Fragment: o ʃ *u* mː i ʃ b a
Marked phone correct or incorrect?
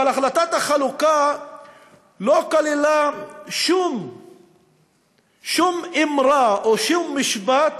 correct